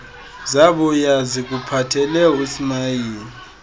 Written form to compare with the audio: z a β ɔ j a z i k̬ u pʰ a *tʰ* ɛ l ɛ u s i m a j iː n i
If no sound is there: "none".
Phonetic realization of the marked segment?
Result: tʰ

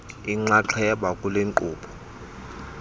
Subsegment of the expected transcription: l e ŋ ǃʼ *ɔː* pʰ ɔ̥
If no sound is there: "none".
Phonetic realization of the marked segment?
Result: uː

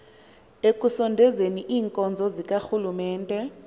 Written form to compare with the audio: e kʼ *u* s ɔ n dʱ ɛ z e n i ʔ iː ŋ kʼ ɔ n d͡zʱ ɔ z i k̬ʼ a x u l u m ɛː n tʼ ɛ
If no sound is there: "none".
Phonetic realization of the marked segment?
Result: u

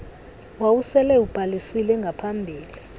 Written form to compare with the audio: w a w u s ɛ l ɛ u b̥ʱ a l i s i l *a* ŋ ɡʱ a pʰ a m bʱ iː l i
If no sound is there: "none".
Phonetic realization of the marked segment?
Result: ɛ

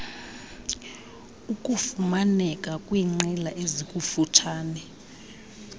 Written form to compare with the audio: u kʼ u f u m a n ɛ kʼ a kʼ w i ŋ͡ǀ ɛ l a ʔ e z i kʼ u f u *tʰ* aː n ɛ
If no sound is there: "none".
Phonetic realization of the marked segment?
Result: tʰ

